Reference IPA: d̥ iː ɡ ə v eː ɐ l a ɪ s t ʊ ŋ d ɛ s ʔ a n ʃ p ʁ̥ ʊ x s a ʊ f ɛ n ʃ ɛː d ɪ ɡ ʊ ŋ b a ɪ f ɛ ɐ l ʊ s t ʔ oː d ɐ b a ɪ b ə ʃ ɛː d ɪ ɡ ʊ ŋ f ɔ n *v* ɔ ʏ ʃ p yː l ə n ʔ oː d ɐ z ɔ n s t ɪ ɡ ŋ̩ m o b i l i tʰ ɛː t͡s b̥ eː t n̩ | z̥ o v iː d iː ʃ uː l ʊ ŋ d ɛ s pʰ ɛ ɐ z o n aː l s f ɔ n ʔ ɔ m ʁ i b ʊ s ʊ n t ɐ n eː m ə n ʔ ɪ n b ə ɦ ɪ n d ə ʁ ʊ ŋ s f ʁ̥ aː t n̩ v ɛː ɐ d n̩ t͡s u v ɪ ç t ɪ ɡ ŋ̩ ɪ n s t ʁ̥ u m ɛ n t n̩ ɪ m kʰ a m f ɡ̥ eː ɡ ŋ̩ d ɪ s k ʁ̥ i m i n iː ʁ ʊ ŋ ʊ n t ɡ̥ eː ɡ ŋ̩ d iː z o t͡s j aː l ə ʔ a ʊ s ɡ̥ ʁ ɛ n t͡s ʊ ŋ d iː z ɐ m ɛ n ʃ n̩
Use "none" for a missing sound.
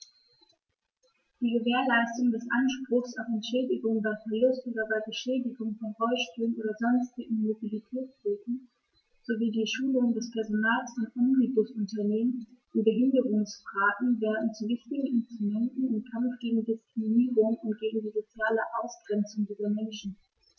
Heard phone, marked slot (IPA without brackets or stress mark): ʁ